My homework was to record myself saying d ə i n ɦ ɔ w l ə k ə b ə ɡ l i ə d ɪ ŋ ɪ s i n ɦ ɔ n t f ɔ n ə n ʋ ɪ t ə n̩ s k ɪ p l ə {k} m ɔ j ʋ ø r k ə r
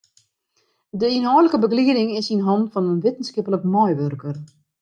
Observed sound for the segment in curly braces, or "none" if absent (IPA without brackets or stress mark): k